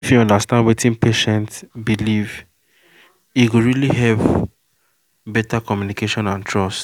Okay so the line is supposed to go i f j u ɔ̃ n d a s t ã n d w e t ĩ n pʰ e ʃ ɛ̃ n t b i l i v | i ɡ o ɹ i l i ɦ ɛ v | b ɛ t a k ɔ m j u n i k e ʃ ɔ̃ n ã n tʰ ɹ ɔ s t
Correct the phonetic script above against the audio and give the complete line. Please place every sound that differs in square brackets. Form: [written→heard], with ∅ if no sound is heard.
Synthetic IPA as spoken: i f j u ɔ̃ n d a s t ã n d w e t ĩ n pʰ e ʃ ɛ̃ n t b i l i v | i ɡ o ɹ i l i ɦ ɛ v | b ɛ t a k ɔ m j u n i k e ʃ ɔ̃ n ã n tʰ ɹ ɔ s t